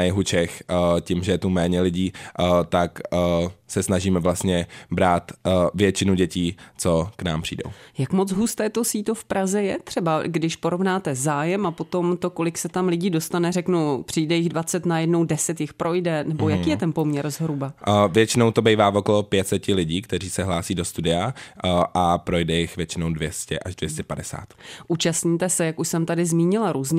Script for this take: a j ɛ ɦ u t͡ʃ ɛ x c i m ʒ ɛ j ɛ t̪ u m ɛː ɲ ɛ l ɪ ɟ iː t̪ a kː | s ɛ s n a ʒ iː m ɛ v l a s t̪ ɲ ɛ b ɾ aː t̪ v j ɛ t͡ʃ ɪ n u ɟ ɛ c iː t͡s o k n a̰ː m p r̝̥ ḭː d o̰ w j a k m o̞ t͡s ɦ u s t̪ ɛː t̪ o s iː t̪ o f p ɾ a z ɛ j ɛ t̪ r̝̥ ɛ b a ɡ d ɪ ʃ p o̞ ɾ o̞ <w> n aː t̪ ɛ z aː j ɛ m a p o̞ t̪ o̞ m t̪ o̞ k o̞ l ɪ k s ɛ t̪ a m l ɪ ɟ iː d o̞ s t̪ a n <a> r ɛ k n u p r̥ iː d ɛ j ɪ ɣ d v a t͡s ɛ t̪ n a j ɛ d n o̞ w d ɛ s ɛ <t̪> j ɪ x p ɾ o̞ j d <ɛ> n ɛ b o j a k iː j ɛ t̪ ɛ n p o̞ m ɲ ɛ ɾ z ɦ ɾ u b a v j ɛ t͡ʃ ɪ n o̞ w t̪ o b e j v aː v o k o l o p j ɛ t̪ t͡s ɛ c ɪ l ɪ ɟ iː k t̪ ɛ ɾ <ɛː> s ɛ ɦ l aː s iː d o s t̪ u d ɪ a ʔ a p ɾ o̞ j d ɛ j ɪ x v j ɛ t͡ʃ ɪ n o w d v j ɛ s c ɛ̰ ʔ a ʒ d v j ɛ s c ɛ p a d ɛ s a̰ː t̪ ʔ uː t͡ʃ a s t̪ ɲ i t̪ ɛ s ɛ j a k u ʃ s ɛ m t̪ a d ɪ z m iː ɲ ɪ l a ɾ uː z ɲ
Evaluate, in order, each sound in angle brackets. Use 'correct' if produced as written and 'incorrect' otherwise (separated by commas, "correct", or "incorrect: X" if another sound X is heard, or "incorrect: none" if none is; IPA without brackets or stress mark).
incorrect: v, incorrect: ɛ, correct, correct, incorrect: iː